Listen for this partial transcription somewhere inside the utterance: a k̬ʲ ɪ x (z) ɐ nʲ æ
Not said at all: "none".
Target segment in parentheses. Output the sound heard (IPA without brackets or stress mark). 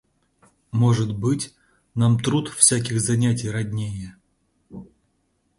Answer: z